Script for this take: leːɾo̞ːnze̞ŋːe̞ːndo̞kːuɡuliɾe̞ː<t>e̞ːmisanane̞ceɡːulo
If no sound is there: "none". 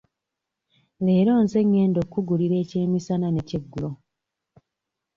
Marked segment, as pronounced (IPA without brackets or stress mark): c